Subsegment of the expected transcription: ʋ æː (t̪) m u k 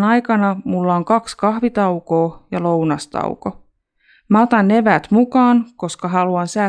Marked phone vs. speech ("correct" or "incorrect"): correct